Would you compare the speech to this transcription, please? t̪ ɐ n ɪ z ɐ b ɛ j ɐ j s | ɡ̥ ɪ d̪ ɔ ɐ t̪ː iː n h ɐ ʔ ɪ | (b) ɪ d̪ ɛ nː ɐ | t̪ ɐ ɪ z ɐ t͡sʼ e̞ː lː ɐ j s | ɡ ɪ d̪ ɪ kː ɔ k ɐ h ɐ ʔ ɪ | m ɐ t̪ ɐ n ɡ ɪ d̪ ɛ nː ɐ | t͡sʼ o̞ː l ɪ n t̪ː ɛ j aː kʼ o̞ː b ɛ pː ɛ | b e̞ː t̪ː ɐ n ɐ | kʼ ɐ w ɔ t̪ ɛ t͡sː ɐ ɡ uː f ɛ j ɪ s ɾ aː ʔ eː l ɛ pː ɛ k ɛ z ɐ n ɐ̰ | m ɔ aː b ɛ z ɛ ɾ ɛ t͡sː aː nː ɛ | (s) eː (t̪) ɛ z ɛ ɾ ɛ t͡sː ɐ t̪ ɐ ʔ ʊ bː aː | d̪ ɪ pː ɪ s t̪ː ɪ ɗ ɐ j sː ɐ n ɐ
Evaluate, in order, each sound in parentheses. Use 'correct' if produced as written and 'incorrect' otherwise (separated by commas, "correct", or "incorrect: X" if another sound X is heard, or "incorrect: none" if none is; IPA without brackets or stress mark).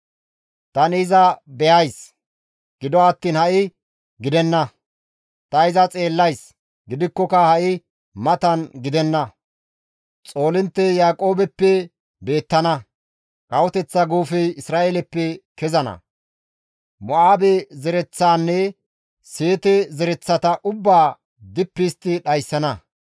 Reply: incorrect: ɡ, correct, correct